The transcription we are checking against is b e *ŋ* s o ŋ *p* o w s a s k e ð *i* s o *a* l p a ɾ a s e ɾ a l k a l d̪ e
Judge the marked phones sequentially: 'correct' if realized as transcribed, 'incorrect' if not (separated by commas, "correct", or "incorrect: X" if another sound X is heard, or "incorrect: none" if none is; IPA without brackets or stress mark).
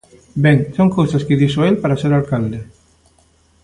correct, incorrect: k, correct, incorrect: e